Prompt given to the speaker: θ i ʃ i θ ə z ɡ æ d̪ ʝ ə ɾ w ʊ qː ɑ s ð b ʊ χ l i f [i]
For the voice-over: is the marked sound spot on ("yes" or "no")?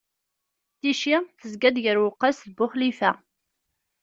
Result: no